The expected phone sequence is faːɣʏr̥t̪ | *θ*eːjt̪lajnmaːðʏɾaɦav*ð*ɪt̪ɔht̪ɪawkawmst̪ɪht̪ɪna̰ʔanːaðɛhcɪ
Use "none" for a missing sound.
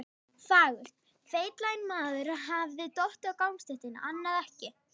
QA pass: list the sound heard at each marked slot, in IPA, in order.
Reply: f, ð

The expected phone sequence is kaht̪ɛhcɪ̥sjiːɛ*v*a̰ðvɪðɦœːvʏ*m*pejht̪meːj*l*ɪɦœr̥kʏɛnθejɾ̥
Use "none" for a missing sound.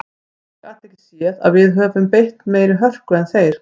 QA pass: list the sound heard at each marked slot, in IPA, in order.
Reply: ð, m, ɾ

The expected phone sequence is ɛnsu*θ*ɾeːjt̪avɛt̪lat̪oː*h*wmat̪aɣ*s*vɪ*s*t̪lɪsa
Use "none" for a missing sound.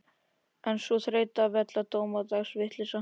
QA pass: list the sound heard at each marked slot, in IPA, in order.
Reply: θ, none, s, h

